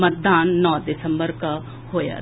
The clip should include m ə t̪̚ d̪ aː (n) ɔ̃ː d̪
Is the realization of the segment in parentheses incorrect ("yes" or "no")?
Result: yes